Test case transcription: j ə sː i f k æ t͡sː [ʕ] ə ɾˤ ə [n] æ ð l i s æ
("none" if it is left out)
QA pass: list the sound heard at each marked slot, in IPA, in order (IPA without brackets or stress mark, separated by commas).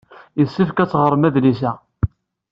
ʁ, m